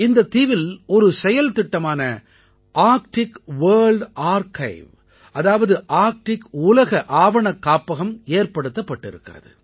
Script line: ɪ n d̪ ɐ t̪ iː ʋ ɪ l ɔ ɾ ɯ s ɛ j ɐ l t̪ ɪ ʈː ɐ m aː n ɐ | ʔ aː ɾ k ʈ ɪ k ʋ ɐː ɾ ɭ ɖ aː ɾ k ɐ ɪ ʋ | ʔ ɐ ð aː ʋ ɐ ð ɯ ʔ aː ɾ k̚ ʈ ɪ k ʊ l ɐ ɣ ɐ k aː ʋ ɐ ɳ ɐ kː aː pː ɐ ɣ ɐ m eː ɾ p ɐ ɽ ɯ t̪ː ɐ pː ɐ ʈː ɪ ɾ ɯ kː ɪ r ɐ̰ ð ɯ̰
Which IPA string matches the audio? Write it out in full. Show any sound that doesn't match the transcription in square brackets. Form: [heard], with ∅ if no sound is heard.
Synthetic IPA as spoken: ɪ n d̪ ɐ t̪ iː ʋ ɪ l ɔ ɾ ɯ s ɛ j ɐ l t̪ ɪ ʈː ɐ m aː n ɐ | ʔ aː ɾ k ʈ ɪ k ʋ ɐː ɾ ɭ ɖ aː ɾ k ɐ ɪ ʋ | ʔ ɐ ð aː ʋ ɐ ð ɯ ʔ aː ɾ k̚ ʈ ɪ k ʊ l ɐ ɣ ɐ [ʔ] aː ʋ ɐ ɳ ɐ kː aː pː ɐ ɣ ɐ m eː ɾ p ɐ ɽ ɯ t̪ː ɐ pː ɐ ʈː ɪ ɾ ɯ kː ɪ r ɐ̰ ð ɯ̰